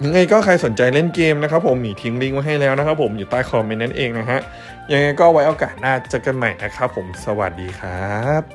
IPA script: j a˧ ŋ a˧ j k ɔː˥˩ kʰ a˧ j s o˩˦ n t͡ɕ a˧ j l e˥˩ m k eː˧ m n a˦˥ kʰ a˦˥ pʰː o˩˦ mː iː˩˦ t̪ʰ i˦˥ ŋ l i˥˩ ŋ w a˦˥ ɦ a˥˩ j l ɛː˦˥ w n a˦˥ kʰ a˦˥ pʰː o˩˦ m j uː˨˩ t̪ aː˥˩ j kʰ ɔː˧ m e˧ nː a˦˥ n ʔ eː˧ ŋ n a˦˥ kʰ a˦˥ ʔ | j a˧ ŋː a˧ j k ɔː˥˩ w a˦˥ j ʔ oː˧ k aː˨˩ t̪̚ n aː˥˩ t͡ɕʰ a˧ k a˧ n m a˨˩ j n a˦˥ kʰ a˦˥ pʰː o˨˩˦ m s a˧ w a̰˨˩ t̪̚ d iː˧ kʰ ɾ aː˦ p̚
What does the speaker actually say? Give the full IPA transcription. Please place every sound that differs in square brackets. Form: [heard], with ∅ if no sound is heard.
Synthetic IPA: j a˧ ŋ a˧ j k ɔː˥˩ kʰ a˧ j s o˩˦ n t͡ɕ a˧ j l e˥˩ [n] k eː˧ m n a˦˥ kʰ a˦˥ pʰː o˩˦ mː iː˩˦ t̪ʰ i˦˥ ŋ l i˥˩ ŋ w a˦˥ ɦ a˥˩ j l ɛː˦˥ w n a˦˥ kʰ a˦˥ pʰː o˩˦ m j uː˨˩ t̪ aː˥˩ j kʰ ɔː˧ m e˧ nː a˦˥ n ʔ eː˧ ŋ n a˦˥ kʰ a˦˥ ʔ | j a˧ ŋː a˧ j k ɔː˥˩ w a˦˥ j ʔ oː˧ k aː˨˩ t̪̚ n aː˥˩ [t͡ɕ] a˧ k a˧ n m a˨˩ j n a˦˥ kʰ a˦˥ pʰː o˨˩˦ m s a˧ w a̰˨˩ t̪̚ d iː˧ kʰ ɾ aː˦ p̚